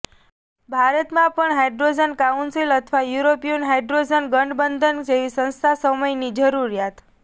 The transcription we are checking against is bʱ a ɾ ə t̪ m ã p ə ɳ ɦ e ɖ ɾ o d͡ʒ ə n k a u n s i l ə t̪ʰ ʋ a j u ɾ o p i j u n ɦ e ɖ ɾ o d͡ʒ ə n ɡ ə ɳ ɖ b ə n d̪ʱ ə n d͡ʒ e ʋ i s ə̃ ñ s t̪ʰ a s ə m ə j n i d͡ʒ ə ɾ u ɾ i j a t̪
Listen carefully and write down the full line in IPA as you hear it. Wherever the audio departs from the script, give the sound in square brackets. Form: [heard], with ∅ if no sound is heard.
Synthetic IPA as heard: bʱ a ɾ ə t̪ m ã p ə ɳ ɦ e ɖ ɾ o d͡ʒ ə n k a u n s i l ə t̪ʰ ʋ a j u ɾ o p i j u n ɦ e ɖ ɾ o d͡ʒ ə n ɡ ə ɳ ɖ b ə n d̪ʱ ə n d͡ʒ e ʋ i s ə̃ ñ s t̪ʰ a s ə m ə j n i d͡ʒ ə ɾ u ɾ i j a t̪